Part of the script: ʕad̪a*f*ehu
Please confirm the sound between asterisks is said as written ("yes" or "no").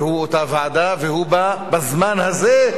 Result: no